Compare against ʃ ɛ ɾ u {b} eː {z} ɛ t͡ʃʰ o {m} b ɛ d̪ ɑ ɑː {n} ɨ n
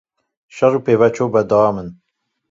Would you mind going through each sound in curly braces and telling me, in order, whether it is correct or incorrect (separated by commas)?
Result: incorrect, incorrect, incorrect, incorrect